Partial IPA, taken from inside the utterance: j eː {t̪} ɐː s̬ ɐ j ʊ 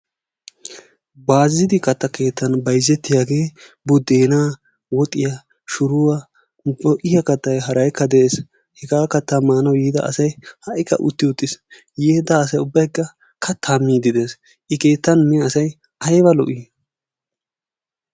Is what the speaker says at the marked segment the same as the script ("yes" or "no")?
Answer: no